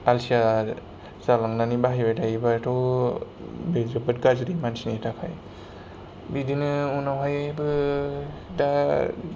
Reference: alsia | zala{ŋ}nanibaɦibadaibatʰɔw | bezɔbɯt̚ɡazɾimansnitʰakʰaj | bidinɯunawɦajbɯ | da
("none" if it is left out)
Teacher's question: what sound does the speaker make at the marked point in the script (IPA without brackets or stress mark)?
ŋ